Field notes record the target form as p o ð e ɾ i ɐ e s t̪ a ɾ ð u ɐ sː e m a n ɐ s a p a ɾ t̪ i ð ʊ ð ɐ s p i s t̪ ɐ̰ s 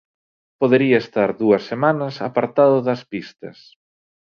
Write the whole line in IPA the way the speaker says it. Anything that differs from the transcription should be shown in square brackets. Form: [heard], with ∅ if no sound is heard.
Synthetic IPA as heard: p o ð e ɾ i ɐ e s t̪ a ɾ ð u ɐ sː e m a n ɐ s a p a ɾ t̪ [a] ð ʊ ð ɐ s p i s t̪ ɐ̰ s